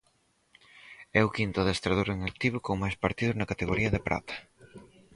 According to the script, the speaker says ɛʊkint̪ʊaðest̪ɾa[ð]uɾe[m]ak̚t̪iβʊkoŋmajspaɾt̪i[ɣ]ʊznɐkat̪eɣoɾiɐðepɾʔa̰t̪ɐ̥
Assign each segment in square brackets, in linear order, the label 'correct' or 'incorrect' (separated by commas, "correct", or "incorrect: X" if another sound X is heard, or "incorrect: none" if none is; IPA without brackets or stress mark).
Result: correct, incorrect: ŋ, incorrect: ð